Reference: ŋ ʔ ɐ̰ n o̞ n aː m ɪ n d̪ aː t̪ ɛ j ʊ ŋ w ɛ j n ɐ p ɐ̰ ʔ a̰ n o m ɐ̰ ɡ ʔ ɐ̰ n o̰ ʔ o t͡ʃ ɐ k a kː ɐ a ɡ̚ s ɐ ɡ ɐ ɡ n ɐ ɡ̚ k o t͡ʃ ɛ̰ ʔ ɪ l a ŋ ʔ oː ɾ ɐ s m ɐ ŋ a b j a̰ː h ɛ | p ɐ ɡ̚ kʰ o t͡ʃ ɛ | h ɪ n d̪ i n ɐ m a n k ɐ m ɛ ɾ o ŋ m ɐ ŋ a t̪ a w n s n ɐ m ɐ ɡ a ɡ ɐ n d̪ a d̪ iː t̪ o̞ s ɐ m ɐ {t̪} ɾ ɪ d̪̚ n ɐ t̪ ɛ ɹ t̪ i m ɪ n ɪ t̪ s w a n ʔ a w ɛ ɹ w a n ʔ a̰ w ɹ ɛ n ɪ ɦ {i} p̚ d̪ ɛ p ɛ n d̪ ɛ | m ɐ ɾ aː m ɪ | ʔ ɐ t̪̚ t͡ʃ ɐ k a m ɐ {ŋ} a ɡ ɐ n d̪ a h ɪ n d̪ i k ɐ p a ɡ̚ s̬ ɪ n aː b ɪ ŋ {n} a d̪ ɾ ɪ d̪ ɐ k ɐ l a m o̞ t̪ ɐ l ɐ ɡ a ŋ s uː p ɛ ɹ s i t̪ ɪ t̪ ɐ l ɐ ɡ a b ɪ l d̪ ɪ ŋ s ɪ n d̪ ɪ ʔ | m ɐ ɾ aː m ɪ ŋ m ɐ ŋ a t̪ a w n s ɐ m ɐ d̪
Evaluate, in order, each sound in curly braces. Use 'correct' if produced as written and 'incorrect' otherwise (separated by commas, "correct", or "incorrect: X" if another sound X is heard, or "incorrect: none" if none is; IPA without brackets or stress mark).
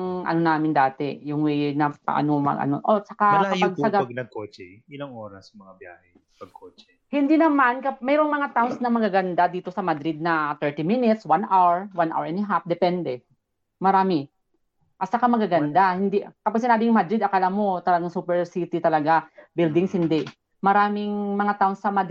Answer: incorrect: d̪, incorrect: a, incorrect: ɡ, incorrect: m